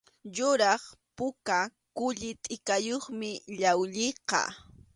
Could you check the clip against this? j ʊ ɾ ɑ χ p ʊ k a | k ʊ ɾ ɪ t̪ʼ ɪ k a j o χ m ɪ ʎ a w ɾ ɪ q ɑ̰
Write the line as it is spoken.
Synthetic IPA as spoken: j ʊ ɾ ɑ χ p ʊ k a | k ʊ ʎ ɪ t̪ʼ ɪ k a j o χ m ɪ ʎ a w ʎ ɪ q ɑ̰